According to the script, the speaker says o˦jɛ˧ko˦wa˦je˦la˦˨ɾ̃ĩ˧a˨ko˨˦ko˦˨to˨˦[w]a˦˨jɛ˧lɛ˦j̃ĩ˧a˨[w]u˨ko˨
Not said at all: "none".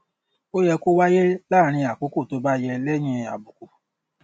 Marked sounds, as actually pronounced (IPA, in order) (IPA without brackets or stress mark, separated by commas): b, b